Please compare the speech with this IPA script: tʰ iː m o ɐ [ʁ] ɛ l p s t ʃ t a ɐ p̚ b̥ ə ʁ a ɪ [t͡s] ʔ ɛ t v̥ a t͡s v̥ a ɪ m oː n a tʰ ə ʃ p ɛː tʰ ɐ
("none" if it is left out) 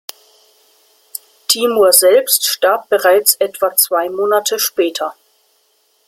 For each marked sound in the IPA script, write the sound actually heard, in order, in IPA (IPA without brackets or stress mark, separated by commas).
z, t͡s